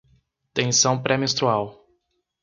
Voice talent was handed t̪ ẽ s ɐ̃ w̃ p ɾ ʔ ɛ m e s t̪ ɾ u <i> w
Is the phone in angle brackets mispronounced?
yes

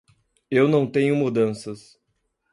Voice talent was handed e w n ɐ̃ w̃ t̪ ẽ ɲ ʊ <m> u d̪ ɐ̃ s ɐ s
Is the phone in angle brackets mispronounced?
no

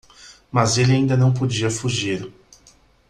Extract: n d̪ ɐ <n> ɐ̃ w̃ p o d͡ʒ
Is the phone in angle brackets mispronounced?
no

